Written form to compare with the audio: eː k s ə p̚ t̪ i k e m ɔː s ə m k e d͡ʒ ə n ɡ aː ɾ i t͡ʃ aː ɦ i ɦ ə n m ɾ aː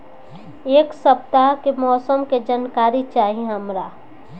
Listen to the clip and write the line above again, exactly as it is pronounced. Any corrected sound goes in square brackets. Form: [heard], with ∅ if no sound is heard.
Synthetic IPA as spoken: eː k s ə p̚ t̪ [a] k e m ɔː s ə m k e d͡ʒ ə n [k] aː ɾ i t͡ʃ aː ɦ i ɦ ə [∅] m ɾ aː

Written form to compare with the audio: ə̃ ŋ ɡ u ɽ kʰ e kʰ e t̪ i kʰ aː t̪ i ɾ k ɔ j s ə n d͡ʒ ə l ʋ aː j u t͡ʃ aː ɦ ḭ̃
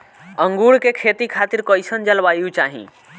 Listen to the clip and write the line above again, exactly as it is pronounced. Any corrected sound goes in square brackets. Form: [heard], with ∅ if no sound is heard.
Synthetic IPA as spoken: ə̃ ŋ ɡ u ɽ [k] e kʰ e t̪ i kʰ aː t̪ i ɾ k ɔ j s ə n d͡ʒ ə l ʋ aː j u t͡ʃ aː ɦ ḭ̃

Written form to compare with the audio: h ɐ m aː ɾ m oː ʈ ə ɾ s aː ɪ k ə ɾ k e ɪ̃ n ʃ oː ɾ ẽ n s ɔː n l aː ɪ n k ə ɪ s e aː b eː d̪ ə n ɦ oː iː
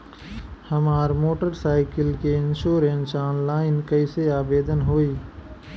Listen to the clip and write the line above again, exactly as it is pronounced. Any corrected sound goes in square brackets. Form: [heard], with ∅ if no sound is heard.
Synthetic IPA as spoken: h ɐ m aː ɾ m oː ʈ ə ɾ s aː ɪ k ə [l] k e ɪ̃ n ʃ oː ɾ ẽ n s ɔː n l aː ɪ n k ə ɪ s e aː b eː d̪ ə n ɦ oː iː

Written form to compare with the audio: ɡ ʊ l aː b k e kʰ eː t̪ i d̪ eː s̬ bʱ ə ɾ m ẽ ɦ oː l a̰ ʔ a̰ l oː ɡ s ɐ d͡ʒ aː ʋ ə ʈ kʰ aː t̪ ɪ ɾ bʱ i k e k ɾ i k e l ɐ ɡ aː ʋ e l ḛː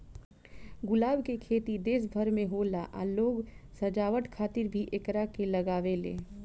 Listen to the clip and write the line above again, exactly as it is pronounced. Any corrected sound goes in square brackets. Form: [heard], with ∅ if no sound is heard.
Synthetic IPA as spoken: ɡ ʊ l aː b k e kʰ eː t̪ i d̪ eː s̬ bʱ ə ɾ m ẽ ɦ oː l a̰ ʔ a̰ l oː ɡ s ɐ d͡ʒ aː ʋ ə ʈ kʰ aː t̪ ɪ ɾ bʱ i [ʔ] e k ɾ [a] k e l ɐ ɡ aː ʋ e l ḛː

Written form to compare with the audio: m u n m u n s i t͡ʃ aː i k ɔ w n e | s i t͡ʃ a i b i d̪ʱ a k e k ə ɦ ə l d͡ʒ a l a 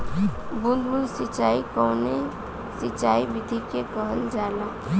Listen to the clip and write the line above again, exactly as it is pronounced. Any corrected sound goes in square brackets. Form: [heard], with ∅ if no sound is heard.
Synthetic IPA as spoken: [b] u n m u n s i t͡ʃ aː i k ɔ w n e | s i t͡ʃ a i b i d̪ʱ [i] k e k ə ɦ ə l d͡ʒ a l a

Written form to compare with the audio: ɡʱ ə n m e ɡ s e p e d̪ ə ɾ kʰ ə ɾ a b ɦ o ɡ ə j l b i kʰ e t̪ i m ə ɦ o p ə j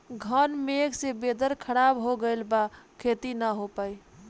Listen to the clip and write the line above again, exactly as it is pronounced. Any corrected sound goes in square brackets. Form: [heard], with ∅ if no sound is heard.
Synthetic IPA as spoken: ɡʱ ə n m e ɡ s e [b] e d̪ ə ɾ kʰ ə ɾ a b ɦ o ɡ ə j l b [a] kʰ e t̪ i [n] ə ɦ o p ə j

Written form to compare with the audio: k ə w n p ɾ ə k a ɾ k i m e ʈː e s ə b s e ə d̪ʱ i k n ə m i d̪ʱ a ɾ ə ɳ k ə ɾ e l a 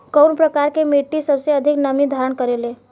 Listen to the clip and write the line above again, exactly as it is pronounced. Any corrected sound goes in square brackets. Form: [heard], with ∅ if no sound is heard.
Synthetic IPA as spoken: k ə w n p ɾ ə k a ɾ k [e] m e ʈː [i] s ə b s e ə d̪ʱ i k n ə m i d̪ʱ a ɾ ə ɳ k ə ɾ e l [e]

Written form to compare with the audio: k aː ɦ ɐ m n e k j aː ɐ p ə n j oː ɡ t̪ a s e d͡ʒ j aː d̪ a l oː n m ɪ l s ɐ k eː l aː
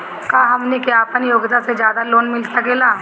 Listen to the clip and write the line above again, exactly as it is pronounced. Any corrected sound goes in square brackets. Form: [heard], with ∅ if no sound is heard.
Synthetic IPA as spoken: k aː ɦ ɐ m n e k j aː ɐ p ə n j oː ɡ t̪ a s e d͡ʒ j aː d̪ a l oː n m ɪ l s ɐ k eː l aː

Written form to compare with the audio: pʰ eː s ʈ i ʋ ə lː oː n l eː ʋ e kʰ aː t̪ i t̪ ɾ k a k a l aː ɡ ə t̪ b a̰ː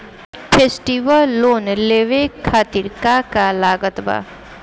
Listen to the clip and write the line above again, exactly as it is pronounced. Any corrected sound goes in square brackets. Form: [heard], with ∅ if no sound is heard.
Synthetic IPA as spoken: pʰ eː s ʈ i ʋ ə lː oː n l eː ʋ e kʰ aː t̪ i [∅] ɾ k a k a l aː ɡ ə t̪ b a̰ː

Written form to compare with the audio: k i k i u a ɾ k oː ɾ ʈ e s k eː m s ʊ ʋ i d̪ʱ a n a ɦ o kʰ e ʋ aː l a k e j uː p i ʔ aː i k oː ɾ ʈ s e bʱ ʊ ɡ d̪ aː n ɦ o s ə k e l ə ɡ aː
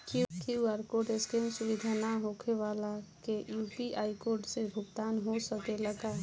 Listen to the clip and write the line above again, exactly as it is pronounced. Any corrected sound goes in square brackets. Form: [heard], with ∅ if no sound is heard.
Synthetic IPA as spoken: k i k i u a ɾ k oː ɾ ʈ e s k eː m s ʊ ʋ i d̪ʱ a n a ɦ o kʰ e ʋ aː l a k e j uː p i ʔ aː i k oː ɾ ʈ s e bʱ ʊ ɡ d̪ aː n ɦ o s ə k e l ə ɡ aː

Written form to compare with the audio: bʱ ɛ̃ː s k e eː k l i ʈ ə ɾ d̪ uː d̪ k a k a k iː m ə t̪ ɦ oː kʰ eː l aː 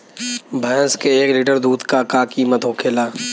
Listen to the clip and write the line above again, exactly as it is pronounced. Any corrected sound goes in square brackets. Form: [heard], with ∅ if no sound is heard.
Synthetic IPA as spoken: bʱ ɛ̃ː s k e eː k l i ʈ ə ɾ d̪ uː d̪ k a k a k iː m ə t̪ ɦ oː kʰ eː l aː

